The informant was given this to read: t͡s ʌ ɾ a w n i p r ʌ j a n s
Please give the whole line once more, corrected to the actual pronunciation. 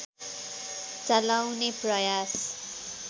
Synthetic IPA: t͡s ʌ l a w n e p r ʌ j a s